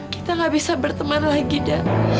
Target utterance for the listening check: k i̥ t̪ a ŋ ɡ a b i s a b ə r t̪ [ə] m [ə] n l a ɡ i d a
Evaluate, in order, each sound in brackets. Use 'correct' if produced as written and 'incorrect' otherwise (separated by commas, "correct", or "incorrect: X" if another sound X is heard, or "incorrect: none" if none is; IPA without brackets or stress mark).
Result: correct, incorrect: a